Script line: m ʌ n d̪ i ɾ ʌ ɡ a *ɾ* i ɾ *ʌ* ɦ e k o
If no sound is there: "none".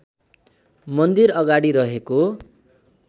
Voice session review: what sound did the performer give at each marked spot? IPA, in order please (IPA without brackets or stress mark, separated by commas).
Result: ɽ, ʌ